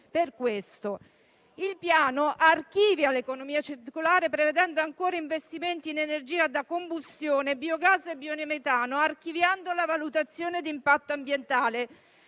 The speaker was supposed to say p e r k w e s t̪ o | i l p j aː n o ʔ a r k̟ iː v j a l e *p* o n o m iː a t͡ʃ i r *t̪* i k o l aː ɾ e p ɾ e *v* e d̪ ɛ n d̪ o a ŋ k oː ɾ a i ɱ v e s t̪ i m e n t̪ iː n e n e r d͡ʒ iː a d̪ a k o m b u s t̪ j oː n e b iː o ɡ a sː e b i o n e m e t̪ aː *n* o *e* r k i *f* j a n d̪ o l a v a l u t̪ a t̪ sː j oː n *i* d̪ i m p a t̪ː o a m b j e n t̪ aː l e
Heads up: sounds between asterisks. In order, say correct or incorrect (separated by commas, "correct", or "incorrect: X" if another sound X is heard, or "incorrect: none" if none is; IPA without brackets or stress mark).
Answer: incorrect: k, correct, correct, correct, incorrect: a, incorrect: v, incorrect: e